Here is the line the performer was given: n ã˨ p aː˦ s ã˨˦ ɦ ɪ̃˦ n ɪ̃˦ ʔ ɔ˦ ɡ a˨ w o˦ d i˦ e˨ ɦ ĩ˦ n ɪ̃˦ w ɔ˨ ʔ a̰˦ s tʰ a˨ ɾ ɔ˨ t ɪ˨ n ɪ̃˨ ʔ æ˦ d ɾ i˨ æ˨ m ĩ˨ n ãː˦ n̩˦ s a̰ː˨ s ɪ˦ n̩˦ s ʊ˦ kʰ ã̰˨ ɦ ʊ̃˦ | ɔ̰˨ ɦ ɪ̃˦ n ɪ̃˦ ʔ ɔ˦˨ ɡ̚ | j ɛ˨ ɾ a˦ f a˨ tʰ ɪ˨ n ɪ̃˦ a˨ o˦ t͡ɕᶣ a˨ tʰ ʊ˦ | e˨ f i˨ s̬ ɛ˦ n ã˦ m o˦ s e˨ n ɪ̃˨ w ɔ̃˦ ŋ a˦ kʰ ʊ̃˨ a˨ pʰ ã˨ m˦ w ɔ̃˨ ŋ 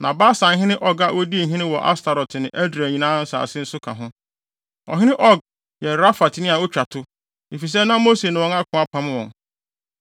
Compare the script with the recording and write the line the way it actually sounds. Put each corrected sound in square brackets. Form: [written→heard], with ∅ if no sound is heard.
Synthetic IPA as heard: n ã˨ [p→b] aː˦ s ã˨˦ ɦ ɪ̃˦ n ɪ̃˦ ʔ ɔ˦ ɡ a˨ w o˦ d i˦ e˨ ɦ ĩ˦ n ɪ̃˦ w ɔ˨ ʔ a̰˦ s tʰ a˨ ɾ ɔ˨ t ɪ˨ n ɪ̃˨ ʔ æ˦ d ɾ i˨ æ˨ [m→ɲ] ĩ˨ n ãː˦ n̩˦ s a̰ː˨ s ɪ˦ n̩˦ s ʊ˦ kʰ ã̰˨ ɦ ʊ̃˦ | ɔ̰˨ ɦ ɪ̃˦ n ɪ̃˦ ʔ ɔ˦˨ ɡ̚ | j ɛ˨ ɾ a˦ f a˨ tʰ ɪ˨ n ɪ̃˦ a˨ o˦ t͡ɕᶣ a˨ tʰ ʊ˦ | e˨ f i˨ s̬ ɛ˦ n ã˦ m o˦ s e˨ n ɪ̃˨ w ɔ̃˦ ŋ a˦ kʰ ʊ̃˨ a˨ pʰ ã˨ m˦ w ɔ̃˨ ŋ